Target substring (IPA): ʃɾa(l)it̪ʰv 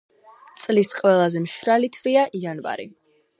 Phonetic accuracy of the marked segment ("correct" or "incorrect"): correct